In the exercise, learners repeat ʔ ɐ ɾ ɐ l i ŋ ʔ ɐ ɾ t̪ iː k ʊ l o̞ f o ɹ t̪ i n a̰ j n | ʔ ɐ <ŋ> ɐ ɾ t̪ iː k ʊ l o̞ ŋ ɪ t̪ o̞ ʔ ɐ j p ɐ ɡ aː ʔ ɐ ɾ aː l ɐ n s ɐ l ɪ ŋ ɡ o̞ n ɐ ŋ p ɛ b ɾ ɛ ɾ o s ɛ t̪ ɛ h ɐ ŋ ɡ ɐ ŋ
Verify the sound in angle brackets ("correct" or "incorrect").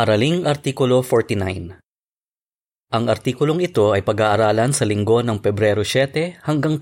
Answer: correct